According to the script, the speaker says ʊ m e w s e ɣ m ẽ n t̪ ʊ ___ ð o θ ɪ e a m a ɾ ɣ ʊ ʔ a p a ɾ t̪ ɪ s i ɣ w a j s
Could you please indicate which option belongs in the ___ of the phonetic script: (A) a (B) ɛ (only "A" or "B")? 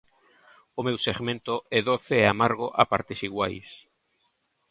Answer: B